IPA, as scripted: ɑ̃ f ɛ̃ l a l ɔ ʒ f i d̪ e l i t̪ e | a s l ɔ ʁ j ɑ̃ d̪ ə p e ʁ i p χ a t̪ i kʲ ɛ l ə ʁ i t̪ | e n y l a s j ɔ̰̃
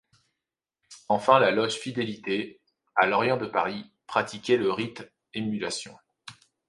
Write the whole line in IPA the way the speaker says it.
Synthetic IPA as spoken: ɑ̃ f ɛ̃ l a l ɔ ʒ f i d̪ e l i t̪ e | a l ɔ ʁ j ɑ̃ d̪ ə p a ʁ i p χ a t̪ i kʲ ɛ l ə ʁ i t̪ | e m y l a s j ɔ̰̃

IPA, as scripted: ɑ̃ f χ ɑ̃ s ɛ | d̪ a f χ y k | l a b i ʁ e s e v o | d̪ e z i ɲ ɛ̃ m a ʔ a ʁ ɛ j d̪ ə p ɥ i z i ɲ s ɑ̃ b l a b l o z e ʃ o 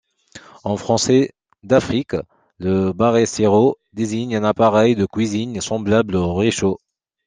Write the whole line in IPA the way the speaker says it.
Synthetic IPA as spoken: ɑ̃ f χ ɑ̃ s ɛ | d̪ a f χ i k | l ə b a ʁ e s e ʁ o | d̪ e z i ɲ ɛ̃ n a p a ʁ ɛ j d̪ ə k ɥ i z i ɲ s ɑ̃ b l a b l o ʁ e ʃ o

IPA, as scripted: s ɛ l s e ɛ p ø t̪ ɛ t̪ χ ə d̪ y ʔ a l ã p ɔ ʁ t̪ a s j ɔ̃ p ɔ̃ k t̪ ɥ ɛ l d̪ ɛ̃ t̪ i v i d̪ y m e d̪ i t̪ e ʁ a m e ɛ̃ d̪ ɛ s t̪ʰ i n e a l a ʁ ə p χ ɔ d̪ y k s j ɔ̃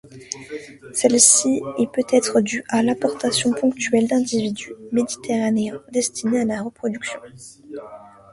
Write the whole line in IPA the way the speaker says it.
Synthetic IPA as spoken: s ɛ l s i ɛ p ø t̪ ɛ t̪ χ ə d̪ y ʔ a l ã p ɔ ʁ t̪ a s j ɔ̃ p ɔ̃ k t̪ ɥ ɛ l d̪ ɛ̃ d̪ i v i d̪ y m e d̪ i t̪ e ʁ a n e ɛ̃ d̪ ɛ s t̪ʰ i n e a l a ʁ ə p χ ɔ d̪ y k s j ɔ̃

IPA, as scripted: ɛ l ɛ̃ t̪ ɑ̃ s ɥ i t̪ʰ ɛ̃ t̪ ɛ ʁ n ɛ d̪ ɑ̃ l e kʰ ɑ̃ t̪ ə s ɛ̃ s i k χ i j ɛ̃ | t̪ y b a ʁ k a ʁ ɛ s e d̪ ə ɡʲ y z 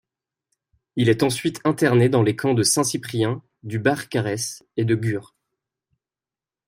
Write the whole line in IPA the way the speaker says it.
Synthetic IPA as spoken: i l ɛ t̪ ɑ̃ s ɥ i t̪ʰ ɛ̃ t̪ ɛ ʁ n e d̪ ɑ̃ l e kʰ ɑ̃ d̪ ə s ɛ̃ s i p χ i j ɛ̃ | d̪ y b a ʁ k a ʁ ɛ s e d̪ ə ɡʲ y ʁ

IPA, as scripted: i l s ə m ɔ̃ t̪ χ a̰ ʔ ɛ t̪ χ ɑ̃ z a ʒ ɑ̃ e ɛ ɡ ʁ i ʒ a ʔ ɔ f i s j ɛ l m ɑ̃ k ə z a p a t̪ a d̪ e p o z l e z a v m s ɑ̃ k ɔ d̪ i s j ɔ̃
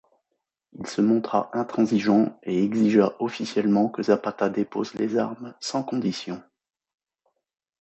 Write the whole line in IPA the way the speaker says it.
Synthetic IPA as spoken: i l s ə m ɔ̃ t̪ χ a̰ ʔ ɛ̃ t̪ χ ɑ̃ z i ʒ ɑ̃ e ɛ ɡ z i ʒ a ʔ ɔ f i s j ɛ l m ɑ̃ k ə z a p a t̪ a d̪ e p o z l e z a ʁ m s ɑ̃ k ɔ̃ d̪ i s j ɔ̃

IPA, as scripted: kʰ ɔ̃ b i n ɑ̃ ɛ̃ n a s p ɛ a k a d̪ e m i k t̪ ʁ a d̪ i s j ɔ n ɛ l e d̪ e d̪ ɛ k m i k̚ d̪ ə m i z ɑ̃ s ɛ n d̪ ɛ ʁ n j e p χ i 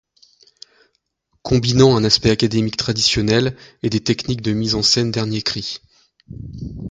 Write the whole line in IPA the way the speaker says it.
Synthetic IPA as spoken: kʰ ɔ̃ b i n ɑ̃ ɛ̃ n a s p ɛ a k a d̪ e m i k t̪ χ a d̪ i s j ɔ n ɛ l e d̪ e t̪ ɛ k n i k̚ d̪ ə m i z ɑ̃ s ɛ n d̪ ɛ ʁ n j e k χ i

